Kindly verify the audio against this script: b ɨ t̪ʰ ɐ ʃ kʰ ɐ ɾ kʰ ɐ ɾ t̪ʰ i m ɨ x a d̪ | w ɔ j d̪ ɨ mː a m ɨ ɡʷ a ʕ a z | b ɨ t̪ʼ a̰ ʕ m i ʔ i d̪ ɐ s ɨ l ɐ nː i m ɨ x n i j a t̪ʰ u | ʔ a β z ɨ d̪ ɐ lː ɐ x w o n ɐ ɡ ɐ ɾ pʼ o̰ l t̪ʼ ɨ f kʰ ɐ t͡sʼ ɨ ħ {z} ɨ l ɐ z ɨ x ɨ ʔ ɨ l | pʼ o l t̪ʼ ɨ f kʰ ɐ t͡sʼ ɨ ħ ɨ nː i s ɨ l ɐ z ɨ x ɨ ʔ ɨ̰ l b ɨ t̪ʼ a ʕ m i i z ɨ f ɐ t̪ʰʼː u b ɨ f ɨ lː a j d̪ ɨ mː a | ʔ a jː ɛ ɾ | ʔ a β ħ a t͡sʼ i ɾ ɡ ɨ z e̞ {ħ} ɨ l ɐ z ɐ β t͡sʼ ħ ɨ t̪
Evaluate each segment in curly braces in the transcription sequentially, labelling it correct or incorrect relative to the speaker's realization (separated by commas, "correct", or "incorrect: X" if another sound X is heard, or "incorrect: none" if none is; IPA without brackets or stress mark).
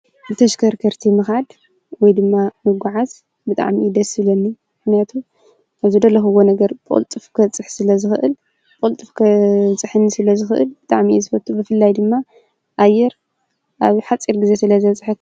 incorrect: s, incorrect: s